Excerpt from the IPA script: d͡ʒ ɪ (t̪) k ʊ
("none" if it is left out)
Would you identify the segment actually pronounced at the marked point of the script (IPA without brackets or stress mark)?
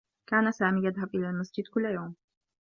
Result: d̪